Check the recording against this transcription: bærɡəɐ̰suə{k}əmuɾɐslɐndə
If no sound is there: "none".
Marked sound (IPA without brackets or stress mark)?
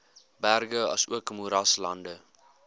k